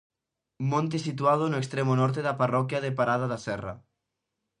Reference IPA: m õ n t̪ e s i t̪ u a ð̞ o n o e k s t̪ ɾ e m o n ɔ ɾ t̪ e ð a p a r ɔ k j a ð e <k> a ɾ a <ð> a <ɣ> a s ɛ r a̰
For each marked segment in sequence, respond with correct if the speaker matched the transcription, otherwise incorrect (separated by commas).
incorrect, correct, incorrect